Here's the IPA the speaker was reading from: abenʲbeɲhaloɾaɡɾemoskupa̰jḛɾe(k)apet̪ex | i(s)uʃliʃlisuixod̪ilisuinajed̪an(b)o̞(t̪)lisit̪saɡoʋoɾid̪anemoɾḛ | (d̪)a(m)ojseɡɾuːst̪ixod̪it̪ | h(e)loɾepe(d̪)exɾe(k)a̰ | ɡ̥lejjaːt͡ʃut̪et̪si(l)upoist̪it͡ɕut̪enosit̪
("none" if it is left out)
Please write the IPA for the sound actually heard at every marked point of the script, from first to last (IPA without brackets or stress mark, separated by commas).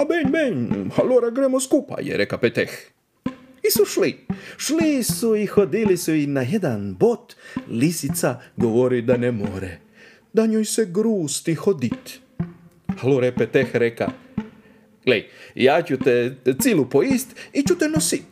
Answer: k, s, b, t̪, d̪, ɲ, a, t̪, k, l